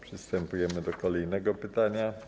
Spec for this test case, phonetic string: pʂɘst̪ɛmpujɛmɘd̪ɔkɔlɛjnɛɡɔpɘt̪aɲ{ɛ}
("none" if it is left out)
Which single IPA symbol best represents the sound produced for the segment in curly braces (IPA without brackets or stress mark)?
a